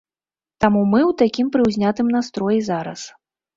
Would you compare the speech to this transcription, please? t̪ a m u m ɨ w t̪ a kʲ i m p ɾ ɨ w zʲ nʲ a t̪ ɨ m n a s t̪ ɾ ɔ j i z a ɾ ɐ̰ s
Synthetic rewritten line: t̪ a m u m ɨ w t̪ a kʲ i m p ɾ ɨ w zʲ nʲ a t̪ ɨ m n a s t̪ ɾ ɔ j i z a ɾ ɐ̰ s